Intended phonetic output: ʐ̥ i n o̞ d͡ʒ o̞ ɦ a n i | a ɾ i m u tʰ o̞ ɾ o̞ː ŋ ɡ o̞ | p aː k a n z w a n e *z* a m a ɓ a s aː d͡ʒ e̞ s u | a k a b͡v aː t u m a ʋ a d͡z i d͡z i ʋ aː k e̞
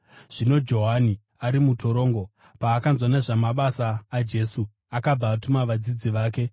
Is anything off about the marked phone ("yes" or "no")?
yes